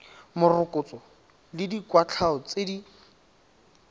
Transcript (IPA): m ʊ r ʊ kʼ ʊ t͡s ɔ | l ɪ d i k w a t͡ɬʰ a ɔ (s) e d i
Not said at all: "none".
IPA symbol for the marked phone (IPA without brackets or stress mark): t͡s